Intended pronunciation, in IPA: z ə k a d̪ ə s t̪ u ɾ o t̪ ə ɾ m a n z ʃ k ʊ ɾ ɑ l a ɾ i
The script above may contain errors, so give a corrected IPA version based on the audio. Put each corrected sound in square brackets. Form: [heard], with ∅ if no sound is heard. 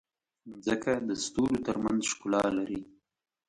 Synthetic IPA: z ə k a d̪ ə s t̪ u ɾ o t̪ ə ɾ m a n z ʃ k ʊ [l] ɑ l a ɾ i